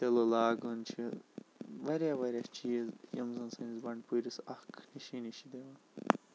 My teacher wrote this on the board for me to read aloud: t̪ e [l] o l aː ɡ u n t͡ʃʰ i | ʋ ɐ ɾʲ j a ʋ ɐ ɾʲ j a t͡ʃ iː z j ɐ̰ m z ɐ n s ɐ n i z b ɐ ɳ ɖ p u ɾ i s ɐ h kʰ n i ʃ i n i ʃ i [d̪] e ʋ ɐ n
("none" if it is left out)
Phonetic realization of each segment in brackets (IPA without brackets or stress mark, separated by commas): l, d̪